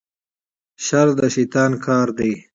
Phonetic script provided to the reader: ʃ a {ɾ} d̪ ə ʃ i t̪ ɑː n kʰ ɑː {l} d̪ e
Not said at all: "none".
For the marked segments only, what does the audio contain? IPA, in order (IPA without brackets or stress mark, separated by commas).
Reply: ɾ, ɾ